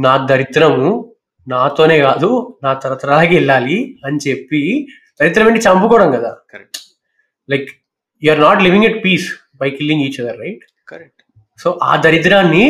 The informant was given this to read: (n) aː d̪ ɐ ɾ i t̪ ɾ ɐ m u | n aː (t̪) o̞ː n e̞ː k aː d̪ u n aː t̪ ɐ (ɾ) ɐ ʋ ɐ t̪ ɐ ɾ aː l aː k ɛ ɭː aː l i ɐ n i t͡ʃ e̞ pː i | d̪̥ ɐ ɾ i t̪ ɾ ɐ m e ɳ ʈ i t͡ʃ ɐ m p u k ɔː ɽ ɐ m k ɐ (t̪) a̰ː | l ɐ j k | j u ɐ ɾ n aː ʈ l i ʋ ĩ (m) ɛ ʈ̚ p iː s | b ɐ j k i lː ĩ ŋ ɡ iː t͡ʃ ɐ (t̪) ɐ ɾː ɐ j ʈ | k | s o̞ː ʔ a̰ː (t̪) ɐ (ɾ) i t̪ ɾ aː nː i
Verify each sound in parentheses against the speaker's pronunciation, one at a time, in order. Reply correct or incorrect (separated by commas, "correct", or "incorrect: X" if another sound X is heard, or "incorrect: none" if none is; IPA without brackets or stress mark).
correct, correct, correct, incorrect: d̪, incorrect: ŋ, incorrect: d̪, incorrect: d̪, correct